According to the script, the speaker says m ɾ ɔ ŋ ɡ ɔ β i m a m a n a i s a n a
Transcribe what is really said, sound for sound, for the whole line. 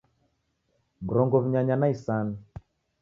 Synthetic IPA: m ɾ ɔ ŋ ɡ ɔ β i ɲ a ɲ a n a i s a n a